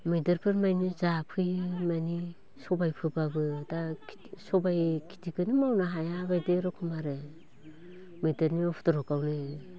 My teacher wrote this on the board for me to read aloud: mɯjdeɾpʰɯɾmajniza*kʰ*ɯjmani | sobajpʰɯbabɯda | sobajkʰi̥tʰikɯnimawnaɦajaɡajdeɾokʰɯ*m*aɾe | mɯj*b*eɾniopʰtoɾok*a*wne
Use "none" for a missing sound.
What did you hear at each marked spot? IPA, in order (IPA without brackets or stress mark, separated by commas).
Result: pʰ, m, d, a